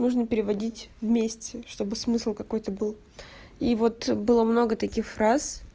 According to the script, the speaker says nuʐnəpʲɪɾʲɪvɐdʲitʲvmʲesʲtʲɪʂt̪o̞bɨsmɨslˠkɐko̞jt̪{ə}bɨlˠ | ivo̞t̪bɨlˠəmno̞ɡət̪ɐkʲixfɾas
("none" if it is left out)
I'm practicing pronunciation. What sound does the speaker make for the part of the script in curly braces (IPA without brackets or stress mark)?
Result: ə